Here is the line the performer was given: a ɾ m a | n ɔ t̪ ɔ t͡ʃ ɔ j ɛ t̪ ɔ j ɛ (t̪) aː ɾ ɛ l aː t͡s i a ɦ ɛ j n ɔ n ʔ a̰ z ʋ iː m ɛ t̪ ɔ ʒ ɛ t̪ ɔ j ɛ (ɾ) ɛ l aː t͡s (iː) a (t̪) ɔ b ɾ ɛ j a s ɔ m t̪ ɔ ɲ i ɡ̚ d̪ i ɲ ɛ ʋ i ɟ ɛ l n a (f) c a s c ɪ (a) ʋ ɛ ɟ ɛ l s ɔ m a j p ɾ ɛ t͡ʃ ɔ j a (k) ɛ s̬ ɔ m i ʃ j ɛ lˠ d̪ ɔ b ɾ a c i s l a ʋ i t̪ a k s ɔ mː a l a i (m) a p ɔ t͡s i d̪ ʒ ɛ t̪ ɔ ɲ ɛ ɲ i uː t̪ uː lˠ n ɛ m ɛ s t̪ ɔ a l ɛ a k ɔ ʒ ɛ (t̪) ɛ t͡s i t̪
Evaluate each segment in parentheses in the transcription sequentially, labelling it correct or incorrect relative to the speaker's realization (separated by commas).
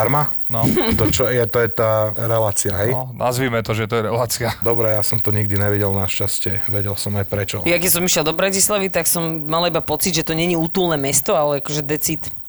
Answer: correct, correct, incorrect, incorrect, incorrect, incorrect, correct, incorrect, incorrect